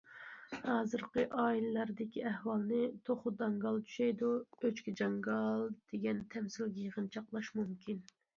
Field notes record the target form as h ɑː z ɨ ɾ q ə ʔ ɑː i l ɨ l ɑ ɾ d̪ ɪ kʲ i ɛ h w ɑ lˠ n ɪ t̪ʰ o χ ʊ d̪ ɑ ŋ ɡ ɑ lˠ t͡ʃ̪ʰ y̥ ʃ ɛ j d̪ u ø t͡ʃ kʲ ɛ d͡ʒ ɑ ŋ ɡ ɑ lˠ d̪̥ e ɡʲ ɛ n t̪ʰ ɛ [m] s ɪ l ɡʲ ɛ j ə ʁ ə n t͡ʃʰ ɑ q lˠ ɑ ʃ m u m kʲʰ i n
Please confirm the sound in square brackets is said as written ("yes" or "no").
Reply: yes